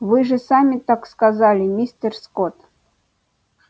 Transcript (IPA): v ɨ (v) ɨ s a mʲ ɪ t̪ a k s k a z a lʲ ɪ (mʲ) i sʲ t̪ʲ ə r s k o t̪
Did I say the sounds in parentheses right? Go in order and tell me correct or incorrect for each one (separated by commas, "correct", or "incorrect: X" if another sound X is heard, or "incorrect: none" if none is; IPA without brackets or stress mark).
incorrect: ʐ, correct